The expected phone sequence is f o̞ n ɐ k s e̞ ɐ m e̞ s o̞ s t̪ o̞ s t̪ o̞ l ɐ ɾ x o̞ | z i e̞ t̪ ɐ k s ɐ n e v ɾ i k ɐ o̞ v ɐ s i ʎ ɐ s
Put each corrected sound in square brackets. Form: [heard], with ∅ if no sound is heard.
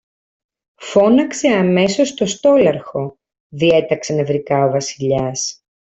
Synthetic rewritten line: f o̞ n ɐ k s e̞ ɐ m e̞ s o̞ s t̪ o̞ s t̪ o̞ l ɐ ɾ x o̞ | [ð] i e̞ t̪ ɐ k s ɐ n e v ɾ i k ɐ o̞ v ɐ s i ʎ ɐ s